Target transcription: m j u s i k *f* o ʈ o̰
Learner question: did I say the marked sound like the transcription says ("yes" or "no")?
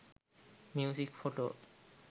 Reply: yes